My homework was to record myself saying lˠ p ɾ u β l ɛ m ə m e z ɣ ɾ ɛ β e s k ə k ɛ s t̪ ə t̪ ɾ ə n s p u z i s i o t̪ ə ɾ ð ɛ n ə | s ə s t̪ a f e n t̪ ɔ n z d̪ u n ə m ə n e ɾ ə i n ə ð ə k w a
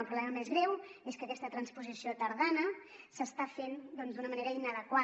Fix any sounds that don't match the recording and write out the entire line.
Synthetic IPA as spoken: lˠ p ɾ u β l ɛ m ə m e z ɣ ɾ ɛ w e s k ə k ɛ s t̪ ə t̪ ɾ ə n s p u z i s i o t̪ ə ɾ ð a n ə | s ə s t̪ a f e n d̪ ɔ n z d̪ u n ə m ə n e ɾ ə i n ə ð ə k w a